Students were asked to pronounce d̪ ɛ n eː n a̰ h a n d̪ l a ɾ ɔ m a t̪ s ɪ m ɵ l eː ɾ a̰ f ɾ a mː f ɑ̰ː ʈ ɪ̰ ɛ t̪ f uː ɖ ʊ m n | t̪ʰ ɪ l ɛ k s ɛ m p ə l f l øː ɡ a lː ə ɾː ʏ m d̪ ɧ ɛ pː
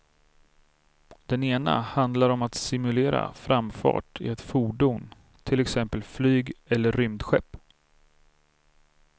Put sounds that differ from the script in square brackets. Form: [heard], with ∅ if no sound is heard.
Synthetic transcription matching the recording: d̪ ɛ n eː n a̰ h a n d̪ l a ɾ ɔ m a t̪ s ɪ m ɵ l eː ɾ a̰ f ɾ a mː f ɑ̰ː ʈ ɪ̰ ɛ t̪ f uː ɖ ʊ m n | t̪ʰ ɪ l ɛ k s ɛ m p ə l f l [yː] ɡ [ɛ] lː ə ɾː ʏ m d̪ ɧ ɛ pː